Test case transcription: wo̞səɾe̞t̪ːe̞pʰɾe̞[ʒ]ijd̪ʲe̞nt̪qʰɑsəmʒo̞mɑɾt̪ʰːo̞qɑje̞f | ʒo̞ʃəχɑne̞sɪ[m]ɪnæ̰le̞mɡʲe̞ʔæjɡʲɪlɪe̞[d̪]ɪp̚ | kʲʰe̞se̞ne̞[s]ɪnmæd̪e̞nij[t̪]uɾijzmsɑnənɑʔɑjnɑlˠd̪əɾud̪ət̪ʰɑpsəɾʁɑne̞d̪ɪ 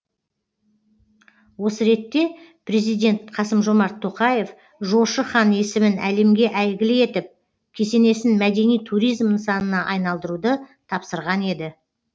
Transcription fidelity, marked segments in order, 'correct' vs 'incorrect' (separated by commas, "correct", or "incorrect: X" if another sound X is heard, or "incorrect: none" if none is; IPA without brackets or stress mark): incorrect: z, correct, incorrect: t̪, correct, incorrect: t̪ʰ